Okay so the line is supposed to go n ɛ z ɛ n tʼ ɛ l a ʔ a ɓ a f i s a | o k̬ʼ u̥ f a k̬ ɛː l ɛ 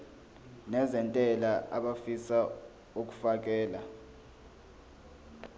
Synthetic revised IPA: n ɛ z ɛ n tʼ ɛ l a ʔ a ɓ a f i s a | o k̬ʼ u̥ f a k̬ ɛː l a